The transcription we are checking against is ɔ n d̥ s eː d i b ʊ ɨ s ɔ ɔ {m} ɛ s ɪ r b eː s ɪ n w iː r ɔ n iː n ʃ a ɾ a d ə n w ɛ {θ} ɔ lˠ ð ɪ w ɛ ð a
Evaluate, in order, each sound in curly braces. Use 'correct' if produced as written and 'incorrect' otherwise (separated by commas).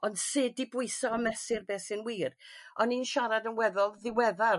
correct, incorrect